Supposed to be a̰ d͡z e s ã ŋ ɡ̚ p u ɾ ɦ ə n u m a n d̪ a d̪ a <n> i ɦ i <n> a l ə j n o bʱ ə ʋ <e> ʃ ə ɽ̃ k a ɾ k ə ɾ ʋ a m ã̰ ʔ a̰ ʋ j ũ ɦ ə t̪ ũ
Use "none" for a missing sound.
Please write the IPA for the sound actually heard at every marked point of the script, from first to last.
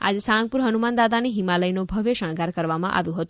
n, m, e

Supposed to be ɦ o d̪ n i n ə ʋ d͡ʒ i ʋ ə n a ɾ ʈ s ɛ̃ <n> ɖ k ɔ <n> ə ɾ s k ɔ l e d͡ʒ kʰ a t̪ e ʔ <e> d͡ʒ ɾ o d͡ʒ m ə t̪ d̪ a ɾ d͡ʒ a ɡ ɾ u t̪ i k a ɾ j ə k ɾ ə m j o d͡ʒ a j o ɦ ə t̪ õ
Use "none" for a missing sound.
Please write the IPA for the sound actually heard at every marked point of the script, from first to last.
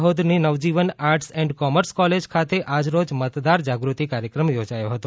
ɳ, m, a

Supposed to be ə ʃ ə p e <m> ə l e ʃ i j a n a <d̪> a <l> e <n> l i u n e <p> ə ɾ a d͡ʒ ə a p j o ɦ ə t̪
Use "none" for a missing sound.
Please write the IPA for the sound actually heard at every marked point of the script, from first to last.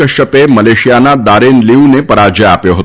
m, d̪, ɾ, n, p

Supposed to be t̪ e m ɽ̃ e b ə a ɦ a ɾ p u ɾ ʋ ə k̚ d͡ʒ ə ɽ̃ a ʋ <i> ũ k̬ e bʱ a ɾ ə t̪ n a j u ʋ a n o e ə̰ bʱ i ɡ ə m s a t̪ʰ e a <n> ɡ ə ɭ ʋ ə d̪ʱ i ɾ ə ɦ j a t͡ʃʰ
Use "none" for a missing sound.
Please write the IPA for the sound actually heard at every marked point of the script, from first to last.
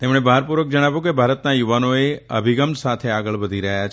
j, none

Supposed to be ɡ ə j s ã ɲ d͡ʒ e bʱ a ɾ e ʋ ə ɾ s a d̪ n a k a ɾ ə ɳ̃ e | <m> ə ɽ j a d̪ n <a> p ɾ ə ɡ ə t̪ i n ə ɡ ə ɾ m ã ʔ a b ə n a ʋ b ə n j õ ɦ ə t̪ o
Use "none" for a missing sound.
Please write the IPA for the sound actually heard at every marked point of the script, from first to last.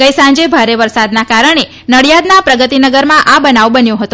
n, a

